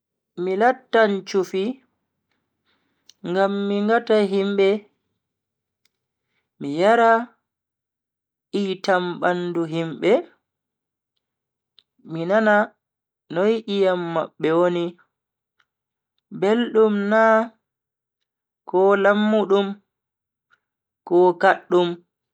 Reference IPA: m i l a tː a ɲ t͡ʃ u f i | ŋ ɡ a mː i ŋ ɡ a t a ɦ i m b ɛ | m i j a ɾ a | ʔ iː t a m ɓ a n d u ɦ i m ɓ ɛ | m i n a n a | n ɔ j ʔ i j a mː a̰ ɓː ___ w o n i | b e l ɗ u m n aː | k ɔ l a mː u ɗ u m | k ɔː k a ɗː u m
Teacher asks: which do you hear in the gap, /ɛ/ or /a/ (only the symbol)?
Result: ɛ